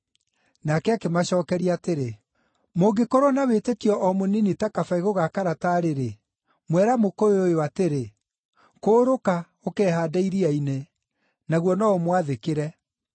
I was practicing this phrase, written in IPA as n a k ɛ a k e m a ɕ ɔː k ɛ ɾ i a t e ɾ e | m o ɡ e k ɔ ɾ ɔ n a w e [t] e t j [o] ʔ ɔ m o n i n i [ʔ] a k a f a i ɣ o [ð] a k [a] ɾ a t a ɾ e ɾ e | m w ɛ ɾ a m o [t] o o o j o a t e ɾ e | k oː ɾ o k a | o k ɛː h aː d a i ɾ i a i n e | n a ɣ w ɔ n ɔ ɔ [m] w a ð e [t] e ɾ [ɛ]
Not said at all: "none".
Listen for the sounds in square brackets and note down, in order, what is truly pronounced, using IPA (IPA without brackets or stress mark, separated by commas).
t, ɔ, t, ɣ, a, k, m, k, ɛ